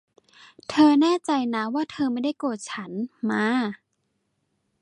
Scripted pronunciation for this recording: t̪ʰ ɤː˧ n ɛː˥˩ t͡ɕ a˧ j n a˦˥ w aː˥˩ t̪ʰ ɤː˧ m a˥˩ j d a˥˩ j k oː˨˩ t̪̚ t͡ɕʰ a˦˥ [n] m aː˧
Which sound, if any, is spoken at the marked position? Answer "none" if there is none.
n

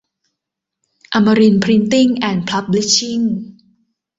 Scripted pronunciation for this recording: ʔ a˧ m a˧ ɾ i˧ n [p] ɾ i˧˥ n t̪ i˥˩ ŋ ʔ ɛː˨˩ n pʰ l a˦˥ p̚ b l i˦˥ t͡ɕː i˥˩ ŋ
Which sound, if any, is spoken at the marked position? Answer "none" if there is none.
pʰ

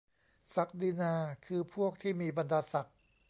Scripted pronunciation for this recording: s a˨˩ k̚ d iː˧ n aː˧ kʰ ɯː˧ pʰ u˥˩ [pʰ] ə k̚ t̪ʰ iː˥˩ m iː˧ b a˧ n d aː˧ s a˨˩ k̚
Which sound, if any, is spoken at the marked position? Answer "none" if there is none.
none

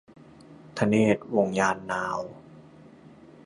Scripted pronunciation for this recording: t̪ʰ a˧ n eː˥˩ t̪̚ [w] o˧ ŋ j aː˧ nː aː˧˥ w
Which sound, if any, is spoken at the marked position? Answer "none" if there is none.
w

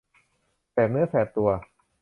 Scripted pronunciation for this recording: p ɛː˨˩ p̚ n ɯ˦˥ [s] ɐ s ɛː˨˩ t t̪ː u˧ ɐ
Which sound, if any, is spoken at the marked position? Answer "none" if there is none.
none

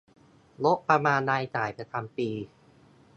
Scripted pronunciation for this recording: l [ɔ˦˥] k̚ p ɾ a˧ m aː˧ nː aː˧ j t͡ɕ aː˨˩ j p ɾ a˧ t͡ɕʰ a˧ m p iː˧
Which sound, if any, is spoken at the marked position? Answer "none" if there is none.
o˦˥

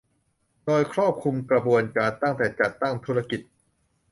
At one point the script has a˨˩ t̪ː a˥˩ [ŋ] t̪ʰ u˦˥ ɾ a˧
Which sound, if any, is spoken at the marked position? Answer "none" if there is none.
ŋ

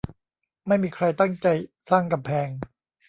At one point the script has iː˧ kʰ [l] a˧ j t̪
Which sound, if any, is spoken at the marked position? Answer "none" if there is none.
ɾ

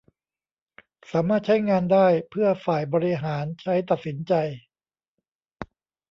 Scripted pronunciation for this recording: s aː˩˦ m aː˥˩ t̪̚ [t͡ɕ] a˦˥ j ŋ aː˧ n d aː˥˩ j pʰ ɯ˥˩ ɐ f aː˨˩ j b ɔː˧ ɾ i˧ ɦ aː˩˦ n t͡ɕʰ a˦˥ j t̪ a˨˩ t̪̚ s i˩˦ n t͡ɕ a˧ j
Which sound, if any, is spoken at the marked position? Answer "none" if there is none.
t͡ɕʰ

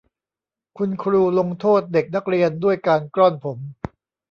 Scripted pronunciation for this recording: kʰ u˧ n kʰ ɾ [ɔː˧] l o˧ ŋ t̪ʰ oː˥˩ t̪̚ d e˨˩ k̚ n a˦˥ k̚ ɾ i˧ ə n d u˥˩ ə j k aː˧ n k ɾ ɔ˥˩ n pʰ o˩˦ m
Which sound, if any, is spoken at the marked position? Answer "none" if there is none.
uː˧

